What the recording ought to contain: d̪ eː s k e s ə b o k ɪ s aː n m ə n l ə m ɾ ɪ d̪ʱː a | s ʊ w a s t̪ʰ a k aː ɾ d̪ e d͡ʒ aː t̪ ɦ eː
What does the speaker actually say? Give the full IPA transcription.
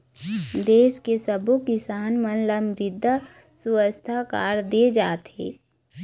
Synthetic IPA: d̪ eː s k e s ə b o k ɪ s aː n m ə n l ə m ɾ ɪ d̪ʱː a | s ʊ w ə s t̪ʰ a k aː ɾ d̪ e d͡ʒ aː t̪ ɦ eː